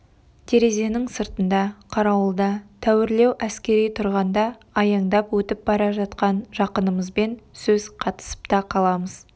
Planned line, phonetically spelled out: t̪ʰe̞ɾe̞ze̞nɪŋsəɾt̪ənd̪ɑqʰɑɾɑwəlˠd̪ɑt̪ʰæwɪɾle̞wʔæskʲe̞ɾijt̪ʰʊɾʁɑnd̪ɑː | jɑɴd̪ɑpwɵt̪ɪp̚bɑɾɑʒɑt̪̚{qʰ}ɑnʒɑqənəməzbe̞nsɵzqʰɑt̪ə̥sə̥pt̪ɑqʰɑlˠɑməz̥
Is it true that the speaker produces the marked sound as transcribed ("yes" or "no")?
no